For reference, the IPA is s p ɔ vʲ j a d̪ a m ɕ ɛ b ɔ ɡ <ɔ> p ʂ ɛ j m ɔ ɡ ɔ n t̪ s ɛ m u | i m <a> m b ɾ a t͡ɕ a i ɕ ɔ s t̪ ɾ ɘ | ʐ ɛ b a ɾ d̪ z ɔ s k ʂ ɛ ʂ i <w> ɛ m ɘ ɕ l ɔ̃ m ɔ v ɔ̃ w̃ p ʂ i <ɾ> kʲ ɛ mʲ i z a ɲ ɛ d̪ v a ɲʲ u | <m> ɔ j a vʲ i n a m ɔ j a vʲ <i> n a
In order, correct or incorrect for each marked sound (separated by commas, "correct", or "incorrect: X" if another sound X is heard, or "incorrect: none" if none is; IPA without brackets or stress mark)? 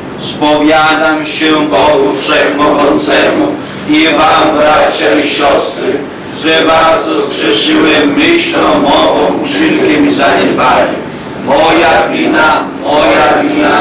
incorrect: u, correct, correct, incorrect: l, correct, correct